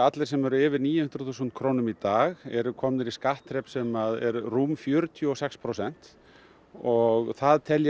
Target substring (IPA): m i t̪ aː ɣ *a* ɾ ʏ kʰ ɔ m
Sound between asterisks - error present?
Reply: yes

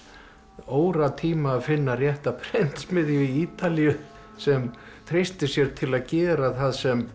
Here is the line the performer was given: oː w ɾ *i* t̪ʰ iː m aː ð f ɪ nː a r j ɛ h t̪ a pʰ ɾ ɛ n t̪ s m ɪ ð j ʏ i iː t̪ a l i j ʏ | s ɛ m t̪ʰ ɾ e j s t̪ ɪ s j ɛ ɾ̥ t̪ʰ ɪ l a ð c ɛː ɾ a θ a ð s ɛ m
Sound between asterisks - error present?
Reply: yes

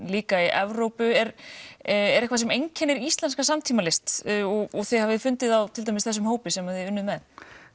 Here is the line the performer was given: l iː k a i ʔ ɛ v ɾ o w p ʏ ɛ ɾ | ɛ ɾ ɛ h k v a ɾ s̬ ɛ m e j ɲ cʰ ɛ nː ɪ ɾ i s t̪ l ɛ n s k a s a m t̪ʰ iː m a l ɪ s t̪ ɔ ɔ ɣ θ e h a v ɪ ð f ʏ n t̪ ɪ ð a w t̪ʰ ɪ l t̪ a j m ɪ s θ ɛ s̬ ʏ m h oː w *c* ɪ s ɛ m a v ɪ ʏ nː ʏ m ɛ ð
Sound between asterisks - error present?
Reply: yes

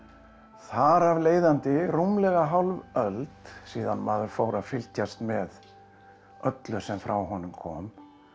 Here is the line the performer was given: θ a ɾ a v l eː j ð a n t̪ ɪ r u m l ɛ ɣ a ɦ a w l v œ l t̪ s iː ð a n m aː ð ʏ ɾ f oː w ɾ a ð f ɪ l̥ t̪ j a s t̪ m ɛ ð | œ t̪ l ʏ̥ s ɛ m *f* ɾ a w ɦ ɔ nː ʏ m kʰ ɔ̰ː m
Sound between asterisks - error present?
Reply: no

